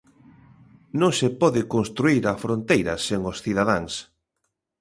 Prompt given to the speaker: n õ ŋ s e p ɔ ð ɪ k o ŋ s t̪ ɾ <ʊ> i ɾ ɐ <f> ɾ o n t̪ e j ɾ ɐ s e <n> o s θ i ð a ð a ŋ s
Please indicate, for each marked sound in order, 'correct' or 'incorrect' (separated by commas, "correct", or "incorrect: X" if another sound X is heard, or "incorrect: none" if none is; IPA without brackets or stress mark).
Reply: incorrect: u, correct, incorrect: ŋ